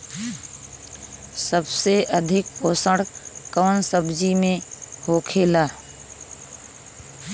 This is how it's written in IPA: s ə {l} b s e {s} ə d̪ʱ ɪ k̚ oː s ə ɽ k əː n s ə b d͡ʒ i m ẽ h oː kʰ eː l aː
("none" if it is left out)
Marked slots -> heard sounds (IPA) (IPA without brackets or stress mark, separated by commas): none, none